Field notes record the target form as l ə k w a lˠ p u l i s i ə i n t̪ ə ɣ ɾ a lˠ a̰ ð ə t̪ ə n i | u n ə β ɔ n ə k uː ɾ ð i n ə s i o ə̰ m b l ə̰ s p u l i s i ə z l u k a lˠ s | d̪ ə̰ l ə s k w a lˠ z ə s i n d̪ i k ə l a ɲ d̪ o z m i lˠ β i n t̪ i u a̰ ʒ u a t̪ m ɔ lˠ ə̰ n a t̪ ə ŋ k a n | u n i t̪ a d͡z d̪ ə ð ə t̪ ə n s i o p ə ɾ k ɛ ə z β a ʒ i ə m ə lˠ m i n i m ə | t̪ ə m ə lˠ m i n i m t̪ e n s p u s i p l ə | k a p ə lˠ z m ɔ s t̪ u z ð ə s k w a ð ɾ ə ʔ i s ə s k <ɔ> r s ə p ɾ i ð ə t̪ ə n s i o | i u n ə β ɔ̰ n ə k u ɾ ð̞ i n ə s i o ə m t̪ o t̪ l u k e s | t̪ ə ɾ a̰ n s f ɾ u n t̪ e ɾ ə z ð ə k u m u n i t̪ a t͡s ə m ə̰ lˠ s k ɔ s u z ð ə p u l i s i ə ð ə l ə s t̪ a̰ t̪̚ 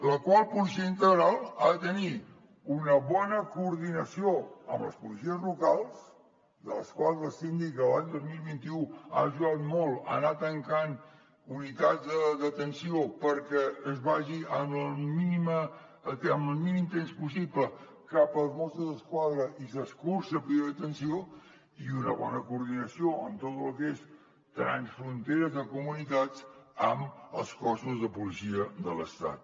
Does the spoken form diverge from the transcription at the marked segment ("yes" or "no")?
yes